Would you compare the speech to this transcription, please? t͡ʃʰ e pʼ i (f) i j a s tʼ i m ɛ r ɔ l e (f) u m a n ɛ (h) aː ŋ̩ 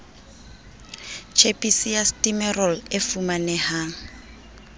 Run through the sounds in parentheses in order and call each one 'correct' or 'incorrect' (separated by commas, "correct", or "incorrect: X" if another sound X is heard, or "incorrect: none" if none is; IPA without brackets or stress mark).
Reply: incorrect: s, correct, correct